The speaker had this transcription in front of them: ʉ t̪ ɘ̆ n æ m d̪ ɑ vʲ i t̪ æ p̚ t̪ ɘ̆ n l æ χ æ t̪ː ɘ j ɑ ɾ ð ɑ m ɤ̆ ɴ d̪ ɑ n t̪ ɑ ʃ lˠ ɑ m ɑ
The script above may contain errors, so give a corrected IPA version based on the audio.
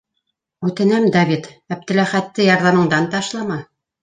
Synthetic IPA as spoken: ʉ t̪ ɘ̆ n æ m d̪ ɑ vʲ i t̪ æ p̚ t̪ ɘ̆ l æ χ æ t̪ː ɘ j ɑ ɾ ð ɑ m ɤ̆ ɴ d̪ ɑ n t̪ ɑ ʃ lˠ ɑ m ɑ